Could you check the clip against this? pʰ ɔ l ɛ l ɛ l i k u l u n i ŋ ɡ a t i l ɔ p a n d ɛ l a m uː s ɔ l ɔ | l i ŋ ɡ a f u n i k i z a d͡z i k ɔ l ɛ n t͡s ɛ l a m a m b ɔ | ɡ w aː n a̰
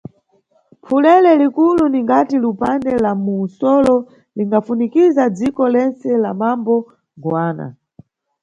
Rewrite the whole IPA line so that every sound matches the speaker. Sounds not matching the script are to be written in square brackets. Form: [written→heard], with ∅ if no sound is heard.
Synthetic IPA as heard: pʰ [ɔ→u] l ɛ l ɛ l i k u l u n i ŋ ɡ a t i l [ɔ→u] p a n d ɛ l a m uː s ɔ l ɔ | l i ŋ ɡ a f u n i k i z a d͡z i k ɔ l ɛ n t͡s ɛ l a m a m b ɔ | ɡ w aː n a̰